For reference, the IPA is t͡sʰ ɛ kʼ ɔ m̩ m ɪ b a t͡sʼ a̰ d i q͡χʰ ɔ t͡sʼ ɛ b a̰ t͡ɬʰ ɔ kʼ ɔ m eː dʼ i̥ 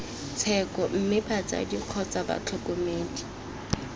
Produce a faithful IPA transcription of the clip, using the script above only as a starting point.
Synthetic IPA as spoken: t͡sʰ ɛ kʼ ɔ m̩ m ɪ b a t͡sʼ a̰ d i q͡χʰ ɔ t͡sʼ a b a̰ t͡ɬʰ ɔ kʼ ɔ m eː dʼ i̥